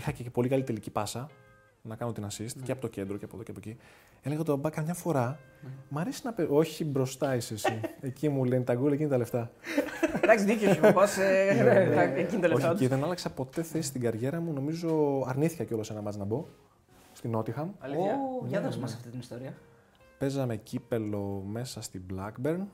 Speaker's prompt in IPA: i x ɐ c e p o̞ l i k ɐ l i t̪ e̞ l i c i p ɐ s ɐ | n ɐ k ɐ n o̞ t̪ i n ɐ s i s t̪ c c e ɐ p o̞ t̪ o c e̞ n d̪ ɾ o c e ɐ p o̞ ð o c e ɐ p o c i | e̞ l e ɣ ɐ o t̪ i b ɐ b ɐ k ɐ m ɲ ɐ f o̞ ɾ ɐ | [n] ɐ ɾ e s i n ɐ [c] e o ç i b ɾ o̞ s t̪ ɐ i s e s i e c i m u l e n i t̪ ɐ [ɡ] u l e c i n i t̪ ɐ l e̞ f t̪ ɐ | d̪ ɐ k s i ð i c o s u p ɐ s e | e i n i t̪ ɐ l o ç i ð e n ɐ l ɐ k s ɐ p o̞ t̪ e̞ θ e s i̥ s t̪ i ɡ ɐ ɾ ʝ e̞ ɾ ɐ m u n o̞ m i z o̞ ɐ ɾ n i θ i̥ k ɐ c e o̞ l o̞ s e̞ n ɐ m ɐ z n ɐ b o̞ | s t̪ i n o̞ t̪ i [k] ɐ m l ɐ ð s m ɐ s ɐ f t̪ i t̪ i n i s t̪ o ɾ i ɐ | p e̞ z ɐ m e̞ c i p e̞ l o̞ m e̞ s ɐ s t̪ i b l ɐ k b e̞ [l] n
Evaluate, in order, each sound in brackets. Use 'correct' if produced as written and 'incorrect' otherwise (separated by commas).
incorrect, incorrect, correct, incorrect, incorrect